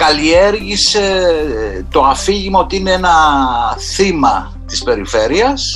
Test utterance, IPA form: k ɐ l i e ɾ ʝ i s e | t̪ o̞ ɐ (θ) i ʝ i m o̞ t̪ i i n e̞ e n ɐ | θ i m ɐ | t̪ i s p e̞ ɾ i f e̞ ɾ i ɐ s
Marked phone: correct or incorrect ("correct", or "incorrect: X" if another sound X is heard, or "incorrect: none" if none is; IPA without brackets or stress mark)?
incorrect: f